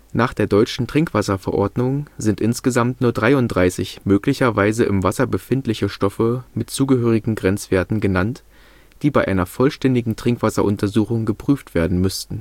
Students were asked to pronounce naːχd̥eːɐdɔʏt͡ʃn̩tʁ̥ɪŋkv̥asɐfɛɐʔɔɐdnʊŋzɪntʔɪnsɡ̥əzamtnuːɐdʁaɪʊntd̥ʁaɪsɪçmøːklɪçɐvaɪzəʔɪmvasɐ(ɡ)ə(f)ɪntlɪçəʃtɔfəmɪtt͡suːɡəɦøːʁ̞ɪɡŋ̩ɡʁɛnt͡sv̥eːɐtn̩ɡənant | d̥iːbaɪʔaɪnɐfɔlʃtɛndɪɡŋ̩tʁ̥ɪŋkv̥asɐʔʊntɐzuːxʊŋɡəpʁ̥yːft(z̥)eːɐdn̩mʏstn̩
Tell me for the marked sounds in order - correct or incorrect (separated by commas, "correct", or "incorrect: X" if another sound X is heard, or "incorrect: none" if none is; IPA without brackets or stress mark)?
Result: incorrect: b, correct, incorrect: v̥